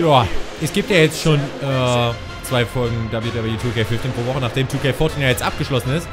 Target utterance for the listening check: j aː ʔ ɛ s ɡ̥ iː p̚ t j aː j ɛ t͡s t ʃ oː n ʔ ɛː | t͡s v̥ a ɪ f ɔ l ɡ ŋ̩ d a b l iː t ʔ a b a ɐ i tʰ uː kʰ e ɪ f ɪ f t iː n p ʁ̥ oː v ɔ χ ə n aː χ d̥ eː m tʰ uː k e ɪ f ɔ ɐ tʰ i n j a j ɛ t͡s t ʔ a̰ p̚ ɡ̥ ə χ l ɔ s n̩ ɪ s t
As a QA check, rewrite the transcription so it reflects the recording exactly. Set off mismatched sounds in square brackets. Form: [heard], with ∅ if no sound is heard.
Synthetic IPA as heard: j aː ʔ ɛ s ɡ̥ iː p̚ t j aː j ɛ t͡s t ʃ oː n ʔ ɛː | t͡s v̥ a ɪ f ɔ l ɡ ŋ̩ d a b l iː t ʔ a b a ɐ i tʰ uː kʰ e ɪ f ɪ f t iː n p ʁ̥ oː v ɔ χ ə n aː χ d̥ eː m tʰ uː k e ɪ f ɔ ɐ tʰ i n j a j ɛ t͡s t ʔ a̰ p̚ ɡ̥ ə [ʃ] l ɔ s n̩ ɪ s t